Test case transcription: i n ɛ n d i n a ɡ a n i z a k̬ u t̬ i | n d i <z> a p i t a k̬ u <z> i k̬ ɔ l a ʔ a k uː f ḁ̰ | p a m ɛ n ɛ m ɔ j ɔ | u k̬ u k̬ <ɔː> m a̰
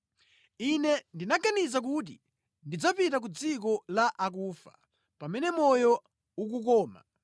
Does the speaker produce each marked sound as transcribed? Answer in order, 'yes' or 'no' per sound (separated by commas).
no, no, yes